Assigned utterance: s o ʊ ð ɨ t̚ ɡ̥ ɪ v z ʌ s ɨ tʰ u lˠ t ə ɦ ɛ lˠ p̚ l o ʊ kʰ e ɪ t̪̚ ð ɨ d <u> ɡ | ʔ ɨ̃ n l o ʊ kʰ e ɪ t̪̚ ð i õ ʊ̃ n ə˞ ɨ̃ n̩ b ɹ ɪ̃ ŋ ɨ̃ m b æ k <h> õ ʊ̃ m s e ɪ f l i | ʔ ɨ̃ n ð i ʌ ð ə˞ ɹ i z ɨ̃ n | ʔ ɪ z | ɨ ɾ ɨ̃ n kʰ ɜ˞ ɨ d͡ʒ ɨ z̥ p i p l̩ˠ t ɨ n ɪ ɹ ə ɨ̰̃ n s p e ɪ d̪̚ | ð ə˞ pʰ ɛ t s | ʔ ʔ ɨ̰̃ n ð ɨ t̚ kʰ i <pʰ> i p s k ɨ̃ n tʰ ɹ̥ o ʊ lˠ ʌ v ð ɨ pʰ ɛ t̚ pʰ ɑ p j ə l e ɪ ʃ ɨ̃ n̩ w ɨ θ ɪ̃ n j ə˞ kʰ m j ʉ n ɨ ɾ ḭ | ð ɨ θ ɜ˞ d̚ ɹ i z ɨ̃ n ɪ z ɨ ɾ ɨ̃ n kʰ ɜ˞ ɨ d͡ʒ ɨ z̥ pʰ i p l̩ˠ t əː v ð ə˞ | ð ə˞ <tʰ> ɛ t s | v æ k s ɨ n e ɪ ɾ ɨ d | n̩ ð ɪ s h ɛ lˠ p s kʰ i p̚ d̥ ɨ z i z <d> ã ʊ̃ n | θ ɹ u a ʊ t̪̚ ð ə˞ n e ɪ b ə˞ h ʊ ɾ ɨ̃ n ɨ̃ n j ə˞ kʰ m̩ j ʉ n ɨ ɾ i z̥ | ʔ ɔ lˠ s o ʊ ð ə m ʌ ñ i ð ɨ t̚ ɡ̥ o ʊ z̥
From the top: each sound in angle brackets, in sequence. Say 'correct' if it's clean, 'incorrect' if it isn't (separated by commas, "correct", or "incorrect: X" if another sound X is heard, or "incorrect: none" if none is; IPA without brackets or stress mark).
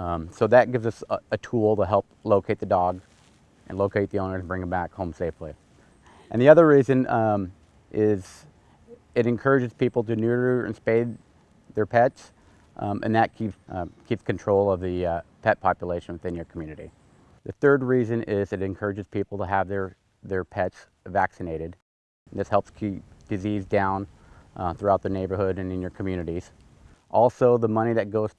incorrect: ɔ, correct, incorrect: kʰ, incorrect: pʰ, correct